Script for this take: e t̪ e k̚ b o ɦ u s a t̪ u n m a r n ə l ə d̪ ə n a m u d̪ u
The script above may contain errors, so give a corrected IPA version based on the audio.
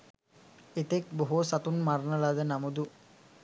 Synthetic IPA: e t̪ e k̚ b o ɦ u s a t̪ u n m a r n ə l a d̪ ə n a m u d̪ u